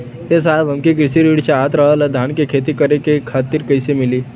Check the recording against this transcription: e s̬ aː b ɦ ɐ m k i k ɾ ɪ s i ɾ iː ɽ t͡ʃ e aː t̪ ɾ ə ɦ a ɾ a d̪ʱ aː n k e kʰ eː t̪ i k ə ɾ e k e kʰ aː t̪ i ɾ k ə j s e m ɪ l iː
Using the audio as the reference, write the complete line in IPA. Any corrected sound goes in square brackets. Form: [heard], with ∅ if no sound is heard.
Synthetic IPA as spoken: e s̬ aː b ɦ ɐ m k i k ɾ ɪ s i ɾ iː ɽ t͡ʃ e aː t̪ ɾ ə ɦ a [l] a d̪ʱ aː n k e kʰ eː t̪ i k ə ɾ e k e kʰ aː t̪ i ɾ k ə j s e m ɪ l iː